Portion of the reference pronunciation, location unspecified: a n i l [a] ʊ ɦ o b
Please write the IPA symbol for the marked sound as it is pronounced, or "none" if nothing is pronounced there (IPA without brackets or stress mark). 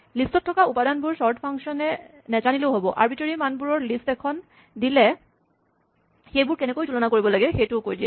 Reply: e